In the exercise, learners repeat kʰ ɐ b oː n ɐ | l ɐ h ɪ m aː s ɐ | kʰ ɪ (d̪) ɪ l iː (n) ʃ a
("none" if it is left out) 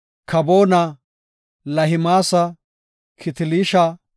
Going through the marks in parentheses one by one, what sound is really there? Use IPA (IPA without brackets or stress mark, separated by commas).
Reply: t̪, none